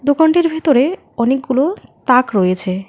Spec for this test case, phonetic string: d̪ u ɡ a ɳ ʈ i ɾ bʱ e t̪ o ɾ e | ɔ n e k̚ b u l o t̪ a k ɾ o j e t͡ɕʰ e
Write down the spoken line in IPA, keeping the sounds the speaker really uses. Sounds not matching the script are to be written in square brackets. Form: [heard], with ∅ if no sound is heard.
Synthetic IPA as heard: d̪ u [k] a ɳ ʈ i ɾ bʱ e t̪ o ɾ e | ɔ n e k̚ [ɡ] u l o t̪ a k ɾ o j e t͡ɕʰ e